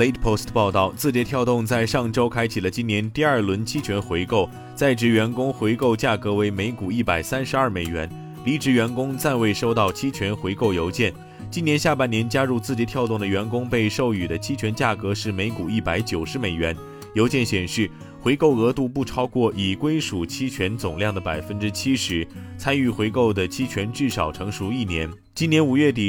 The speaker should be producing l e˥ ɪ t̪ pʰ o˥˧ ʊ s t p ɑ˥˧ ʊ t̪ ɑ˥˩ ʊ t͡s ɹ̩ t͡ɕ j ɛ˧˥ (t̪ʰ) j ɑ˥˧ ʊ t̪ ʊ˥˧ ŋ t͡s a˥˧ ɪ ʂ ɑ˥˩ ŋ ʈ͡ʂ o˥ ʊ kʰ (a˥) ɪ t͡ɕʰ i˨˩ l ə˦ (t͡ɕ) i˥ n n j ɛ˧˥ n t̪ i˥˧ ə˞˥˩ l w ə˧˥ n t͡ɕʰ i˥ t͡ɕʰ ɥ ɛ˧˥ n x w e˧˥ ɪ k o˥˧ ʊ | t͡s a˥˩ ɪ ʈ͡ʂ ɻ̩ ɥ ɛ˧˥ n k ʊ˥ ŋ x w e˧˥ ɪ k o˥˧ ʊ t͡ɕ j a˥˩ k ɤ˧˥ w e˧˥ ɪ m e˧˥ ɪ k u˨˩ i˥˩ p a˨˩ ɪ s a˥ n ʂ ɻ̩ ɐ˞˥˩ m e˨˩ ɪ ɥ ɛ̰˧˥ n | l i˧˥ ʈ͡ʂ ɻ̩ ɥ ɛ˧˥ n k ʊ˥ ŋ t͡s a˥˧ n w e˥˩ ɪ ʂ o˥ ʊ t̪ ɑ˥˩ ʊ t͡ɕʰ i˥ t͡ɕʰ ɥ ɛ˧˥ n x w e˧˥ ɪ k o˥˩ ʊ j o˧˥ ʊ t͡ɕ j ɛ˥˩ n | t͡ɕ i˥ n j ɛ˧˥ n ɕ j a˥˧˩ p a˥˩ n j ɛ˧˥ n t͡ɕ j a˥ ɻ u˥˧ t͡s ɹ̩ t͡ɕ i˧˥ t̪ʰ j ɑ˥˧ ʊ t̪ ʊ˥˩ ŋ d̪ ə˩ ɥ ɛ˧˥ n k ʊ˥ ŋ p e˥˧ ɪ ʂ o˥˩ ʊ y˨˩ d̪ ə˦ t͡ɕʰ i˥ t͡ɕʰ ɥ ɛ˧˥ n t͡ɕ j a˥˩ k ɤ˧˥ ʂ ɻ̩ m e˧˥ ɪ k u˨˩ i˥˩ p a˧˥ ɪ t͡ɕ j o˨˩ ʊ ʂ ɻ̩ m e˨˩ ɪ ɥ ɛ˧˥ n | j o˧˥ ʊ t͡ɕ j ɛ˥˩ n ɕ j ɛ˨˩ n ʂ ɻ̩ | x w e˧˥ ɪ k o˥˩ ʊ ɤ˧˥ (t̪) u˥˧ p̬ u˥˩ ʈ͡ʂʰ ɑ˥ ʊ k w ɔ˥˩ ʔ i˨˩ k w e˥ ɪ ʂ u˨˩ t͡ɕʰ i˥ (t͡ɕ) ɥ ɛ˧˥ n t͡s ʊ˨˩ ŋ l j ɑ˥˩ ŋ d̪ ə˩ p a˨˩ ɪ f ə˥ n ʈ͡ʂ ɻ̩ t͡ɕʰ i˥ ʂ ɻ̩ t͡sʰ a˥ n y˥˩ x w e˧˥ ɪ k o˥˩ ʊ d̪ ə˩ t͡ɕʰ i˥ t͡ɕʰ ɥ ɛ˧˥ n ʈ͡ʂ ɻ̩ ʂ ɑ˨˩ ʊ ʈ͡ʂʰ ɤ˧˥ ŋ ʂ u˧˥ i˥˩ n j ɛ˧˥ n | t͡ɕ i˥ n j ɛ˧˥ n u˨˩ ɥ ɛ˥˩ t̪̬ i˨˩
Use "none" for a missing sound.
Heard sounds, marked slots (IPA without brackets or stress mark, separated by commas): t̪ʰ, a˥, t͡ɕ, t̪, t͡ɕʰ